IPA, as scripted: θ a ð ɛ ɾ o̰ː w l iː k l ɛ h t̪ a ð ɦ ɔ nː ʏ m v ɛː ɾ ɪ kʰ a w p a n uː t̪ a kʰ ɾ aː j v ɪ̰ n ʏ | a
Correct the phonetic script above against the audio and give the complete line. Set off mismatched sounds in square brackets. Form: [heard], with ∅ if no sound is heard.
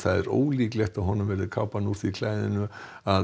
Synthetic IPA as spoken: θ a ð ɛ ɾ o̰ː w l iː k l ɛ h t̪ a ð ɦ ɔ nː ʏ m v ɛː ɾ ɪ kʰ a w p a n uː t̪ [i] kʰ [l] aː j [ð] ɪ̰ n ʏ | a